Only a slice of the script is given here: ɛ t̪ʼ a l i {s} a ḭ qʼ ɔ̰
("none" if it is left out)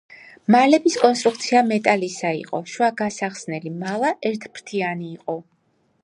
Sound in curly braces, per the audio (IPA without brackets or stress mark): s